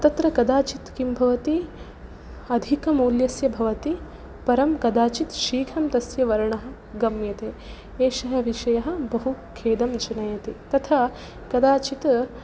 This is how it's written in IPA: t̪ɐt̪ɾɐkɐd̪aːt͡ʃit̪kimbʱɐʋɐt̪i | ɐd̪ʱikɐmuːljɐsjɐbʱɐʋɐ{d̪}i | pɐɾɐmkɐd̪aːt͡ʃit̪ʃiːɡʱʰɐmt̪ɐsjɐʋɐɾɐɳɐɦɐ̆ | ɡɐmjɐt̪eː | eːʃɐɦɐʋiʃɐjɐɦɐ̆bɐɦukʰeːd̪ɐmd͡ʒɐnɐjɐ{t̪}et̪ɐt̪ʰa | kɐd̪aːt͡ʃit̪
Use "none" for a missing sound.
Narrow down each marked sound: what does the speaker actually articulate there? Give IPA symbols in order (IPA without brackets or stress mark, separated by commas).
t̪, t̪